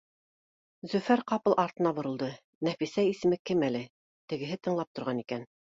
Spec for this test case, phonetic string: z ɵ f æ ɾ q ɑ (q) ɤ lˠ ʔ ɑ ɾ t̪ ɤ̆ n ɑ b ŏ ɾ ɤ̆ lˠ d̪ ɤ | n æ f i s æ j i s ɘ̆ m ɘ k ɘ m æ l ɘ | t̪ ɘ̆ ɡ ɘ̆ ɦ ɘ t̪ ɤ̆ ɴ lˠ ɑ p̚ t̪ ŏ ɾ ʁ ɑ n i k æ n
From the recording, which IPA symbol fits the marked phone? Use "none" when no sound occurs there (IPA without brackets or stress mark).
p